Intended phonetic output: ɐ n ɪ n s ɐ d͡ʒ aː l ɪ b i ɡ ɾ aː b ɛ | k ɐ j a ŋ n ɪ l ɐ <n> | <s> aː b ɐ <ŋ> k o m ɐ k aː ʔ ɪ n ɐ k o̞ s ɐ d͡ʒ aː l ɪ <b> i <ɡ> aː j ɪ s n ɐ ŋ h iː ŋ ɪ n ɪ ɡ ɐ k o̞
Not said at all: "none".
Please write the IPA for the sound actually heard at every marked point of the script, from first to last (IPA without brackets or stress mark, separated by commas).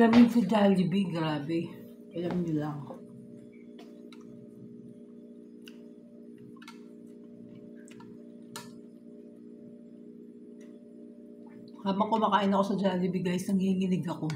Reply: ŋ, h, ŋ, b, ɡ